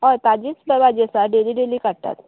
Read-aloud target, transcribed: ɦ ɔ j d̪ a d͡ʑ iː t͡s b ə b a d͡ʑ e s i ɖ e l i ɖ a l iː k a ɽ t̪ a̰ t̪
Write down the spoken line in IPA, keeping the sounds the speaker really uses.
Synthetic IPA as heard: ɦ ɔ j t̪ a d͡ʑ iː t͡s b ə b a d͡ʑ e s a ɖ e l i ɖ e l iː k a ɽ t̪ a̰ t̪

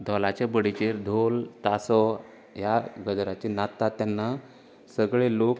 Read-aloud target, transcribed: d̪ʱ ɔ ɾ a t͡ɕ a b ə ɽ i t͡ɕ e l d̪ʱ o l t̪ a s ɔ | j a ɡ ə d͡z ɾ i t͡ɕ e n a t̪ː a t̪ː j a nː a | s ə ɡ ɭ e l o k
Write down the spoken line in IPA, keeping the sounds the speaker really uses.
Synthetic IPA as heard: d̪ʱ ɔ l a t͡ɕ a b ə ɽ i t͡ɕ e ɾ d̪ʱ o l t̪ a s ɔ | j a ɡ ə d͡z ɾ a t͡ɕ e n a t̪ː a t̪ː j a nː a | s ə ɡ ɭ e l o k

